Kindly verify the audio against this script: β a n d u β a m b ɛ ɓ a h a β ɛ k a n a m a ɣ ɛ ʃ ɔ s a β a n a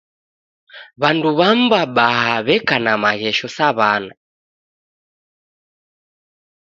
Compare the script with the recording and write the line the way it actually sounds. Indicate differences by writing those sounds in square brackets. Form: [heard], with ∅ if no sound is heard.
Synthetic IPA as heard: β a n d u β a m b [a] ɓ a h a β ɛ k a n a m a ɣ ɛ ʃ ɔ s a β a n a